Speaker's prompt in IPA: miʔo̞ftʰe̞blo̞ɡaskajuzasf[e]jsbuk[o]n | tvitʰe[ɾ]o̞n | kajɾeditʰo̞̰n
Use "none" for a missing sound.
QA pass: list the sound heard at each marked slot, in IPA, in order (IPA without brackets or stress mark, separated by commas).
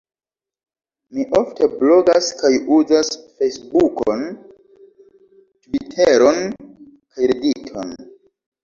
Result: e, o, ɾ